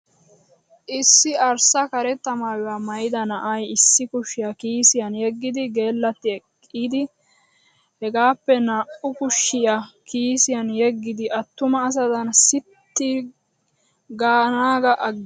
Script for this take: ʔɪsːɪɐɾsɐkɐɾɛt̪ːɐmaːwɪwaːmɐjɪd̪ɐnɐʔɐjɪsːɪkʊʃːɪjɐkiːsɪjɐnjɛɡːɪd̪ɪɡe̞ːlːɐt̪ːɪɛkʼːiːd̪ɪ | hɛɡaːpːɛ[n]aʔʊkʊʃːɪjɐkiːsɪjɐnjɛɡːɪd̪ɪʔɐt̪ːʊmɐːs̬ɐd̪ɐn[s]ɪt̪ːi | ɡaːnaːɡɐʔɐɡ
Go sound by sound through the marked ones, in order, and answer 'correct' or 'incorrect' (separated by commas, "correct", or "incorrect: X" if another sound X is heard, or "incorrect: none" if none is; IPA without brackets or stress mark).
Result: correct, correct